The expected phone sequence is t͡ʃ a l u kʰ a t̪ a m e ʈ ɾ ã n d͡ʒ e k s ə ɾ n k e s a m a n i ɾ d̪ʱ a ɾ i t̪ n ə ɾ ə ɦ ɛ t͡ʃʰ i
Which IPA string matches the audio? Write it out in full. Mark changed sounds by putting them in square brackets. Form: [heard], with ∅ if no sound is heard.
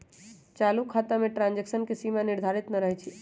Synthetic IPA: t͡ʃ a l u kʰ a t̪ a m e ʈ ɾ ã n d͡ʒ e k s ə [∅] n k e s [i] m a n i ɾ d̪ʱ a ɾ i t̪ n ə ɾ ə ɦ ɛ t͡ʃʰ i